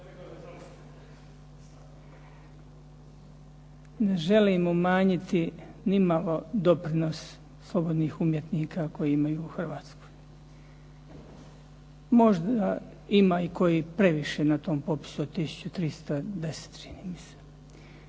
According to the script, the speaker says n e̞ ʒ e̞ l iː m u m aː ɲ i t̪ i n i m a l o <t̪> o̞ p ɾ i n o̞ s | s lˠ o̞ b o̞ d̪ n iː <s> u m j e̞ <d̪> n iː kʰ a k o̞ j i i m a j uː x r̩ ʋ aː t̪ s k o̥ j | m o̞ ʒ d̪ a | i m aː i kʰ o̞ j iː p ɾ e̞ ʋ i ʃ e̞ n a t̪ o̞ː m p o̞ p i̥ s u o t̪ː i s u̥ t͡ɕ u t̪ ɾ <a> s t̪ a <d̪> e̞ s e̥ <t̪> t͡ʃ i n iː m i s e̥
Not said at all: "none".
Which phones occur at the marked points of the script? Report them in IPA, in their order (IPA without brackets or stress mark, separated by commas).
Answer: d̪, x, t̪, i, d̪, t̪